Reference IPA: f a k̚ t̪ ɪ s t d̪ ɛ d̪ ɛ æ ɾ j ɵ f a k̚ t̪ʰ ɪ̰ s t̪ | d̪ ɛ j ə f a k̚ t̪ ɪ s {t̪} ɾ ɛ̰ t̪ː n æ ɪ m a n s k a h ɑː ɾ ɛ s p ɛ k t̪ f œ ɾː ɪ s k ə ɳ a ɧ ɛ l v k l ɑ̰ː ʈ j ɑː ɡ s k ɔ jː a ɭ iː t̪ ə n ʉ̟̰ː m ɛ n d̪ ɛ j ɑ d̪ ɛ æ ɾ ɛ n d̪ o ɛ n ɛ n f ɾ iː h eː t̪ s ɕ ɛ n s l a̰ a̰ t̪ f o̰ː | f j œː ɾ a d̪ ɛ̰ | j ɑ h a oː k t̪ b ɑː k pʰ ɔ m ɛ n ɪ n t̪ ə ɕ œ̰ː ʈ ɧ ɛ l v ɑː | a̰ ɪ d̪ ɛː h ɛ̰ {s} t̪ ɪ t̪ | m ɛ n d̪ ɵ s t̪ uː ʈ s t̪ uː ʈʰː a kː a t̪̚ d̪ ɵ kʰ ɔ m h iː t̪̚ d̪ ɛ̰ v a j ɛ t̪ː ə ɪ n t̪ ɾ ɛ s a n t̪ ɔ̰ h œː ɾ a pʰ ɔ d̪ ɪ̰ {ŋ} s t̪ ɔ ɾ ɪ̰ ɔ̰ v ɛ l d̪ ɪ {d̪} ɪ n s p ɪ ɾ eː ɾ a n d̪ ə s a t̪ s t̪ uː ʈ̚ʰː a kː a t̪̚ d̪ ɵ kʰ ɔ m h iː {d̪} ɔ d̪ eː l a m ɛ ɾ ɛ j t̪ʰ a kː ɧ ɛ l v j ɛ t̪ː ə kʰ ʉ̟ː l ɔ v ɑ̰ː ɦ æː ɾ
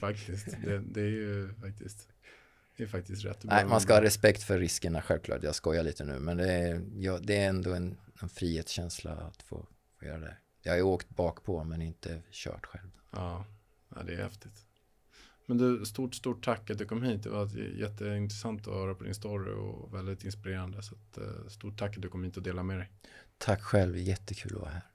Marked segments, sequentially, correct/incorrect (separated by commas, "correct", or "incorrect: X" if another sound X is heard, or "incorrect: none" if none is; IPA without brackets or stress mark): correct, incorrect: f, incorrect: n, incorrect: t̪, incorrect: t̪